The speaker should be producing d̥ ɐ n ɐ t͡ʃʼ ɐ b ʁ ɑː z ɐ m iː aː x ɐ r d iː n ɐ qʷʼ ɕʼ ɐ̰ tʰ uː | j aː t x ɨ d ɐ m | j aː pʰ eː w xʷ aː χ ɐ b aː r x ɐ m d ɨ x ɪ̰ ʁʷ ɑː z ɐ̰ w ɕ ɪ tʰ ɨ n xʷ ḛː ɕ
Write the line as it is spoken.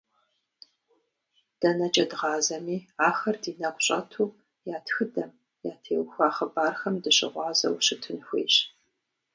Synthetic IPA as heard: d̥ ɐ n ɐ t͡ʃʼ ɐ d ʁ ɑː z ɐ m iː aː x ɐ r d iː n ɐ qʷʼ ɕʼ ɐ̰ tʰ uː | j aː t x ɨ d ɐ m | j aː tʰ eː w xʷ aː χ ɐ b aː r x ɐ m d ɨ ɕ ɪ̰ ʁʷ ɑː z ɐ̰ w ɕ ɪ tʰ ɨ n xʷ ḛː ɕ